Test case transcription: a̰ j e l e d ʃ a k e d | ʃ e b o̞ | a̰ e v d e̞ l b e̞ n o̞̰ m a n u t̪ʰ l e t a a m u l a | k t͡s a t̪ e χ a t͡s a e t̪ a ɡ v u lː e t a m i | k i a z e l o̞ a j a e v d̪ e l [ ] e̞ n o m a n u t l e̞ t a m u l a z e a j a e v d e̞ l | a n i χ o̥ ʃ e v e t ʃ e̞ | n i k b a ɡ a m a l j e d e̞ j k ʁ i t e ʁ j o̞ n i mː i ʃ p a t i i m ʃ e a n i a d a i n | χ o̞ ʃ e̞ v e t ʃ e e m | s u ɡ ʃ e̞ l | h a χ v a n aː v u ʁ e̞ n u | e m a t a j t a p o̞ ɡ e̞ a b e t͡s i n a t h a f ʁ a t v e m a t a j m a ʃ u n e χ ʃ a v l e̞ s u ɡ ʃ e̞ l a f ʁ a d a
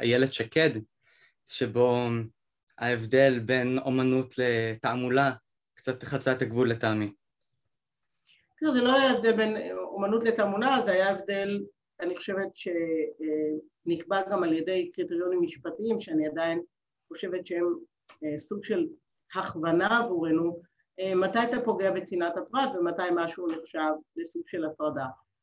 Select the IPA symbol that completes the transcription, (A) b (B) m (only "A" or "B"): A